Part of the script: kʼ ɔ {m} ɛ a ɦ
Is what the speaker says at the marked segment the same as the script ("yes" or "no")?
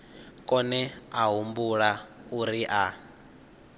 no